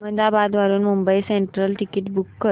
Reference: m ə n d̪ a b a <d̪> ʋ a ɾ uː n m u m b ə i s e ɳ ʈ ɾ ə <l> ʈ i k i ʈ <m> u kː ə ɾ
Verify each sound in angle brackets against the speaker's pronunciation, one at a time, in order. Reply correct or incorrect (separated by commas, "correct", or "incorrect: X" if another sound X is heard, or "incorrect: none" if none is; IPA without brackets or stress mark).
correct, correct, incorrect: b